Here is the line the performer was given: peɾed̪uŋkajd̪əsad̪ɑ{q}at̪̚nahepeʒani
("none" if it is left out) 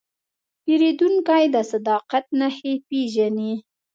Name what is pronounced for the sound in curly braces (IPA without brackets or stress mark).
q